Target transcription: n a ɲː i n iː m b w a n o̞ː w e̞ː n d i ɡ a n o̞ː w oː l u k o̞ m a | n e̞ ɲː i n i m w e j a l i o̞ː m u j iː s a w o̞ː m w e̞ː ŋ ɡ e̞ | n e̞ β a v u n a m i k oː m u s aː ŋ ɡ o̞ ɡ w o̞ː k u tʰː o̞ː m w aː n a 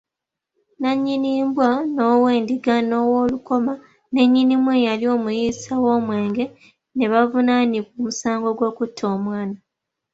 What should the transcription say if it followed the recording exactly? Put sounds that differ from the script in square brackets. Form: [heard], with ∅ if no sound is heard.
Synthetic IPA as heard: n a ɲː i n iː m b w a n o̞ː w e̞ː n d i ɡ a n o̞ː w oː l u k o̞ m a | n e̞ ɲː i n i m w e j a l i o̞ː m u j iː s a w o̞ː m w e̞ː ŋ ɡ e̞ | n e̞ β a v u n a [n] i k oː m u s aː ŋ ɡ o̞ ɡ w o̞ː k u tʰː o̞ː m w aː n a